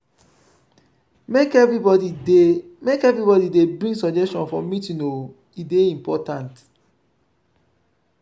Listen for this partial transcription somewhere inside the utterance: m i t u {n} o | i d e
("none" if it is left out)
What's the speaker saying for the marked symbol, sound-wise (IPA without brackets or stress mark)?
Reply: n